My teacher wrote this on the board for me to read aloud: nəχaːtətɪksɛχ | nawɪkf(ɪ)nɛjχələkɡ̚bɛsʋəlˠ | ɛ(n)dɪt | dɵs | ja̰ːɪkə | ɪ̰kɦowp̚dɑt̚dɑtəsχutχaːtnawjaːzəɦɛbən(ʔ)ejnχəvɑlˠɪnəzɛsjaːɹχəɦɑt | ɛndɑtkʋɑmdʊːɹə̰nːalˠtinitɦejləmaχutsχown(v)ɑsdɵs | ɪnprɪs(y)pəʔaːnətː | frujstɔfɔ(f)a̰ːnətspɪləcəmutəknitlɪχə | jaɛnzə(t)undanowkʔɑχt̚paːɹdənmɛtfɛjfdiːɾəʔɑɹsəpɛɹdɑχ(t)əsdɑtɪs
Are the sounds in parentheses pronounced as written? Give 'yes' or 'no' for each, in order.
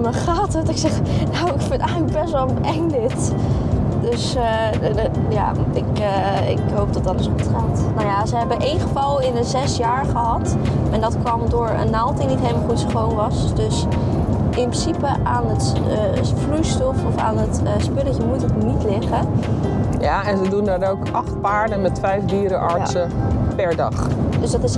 yes, no, yes, no, no, yes, no, no

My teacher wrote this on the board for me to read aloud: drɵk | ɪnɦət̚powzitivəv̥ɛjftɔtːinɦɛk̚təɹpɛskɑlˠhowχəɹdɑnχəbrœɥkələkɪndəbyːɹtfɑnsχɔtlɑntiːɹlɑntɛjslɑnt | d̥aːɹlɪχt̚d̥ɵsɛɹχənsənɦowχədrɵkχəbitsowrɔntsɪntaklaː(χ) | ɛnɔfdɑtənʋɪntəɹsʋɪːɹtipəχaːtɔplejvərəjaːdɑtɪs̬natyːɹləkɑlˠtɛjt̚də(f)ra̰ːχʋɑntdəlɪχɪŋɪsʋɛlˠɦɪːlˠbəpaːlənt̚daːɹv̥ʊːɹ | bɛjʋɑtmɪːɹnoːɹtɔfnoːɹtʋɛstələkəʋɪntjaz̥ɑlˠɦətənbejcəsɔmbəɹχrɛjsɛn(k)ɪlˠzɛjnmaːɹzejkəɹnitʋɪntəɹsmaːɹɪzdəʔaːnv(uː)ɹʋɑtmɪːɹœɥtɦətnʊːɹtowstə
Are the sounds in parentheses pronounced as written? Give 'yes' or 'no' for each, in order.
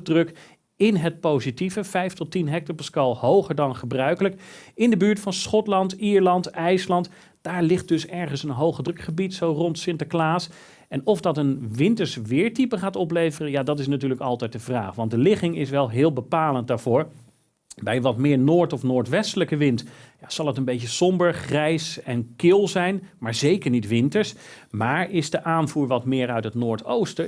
no, no, yes, yes

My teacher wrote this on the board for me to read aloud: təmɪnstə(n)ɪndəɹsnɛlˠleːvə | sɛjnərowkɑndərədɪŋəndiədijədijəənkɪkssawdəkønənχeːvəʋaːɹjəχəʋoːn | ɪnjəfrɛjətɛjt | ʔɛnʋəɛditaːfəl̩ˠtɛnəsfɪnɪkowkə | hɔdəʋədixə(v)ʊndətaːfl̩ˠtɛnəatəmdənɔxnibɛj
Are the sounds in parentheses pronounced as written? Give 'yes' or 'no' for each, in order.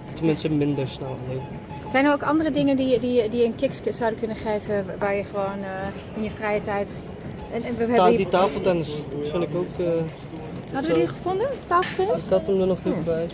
no, no

